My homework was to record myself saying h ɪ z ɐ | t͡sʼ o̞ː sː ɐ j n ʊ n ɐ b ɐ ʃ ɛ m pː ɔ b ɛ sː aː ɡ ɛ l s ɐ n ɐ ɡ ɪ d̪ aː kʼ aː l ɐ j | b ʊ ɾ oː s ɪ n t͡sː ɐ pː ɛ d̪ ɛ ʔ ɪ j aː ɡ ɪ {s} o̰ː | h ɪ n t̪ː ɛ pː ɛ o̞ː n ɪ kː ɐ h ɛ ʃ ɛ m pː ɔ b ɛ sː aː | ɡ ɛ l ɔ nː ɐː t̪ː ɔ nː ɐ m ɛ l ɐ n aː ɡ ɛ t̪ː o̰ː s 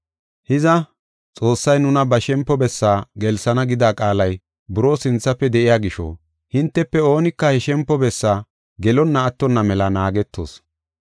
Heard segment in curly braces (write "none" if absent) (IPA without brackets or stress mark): ʃ